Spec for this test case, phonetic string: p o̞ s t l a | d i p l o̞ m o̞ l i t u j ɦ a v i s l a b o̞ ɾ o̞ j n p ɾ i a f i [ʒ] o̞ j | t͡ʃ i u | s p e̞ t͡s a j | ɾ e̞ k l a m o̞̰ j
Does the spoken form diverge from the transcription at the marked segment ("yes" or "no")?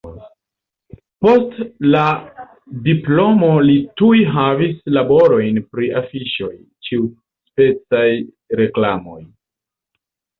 yes